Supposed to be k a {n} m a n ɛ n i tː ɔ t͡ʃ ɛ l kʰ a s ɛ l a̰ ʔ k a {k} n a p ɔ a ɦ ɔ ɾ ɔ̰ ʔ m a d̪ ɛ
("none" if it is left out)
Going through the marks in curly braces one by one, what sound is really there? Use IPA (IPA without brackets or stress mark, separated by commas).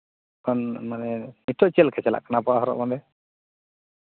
n, none